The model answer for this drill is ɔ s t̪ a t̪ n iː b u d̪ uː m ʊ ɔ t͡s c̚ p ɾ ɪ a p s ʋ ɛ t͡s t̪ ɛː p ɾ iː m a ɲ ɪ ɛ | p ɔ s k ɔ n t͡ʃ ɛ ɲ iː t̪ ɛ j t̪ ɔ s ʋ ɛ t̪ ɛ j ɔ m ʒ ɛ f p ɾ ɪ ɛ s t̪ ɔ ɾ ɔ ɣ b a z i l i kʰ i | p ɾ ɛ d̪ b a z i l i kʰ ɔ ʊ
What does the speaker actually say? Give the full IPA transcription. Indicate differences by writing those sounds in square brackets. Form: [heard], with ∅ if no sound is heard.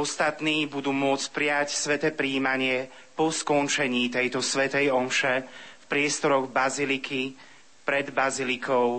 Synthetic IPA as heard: ɔ s t̪ a t̪ n iː b u d̪ uː m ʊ ɔ t͡s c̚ p ɾ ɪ a [c] s ʋ ɛ [∅] t̪ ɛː p ɾ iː m a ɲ ɪ ɛ | p ɔ s k ɔ n t͡ʃ ɛ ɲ iː t̪ ɛ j t̪ ɔ s ʋ ɛ t̪ ɛ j ɔ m [ʃ] ɛ f p ɾ ɪ ɛ s t̪ ɔ ɾ ɔ ɣ b a z i l i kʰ i | p ɾ ɛ d̪ b a z i l i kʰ ɔ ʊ